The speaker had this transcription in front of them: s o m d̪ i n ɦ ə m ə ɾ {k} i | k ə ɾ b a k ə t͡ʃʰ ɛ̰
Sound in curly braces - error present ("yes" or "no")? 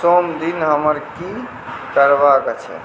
no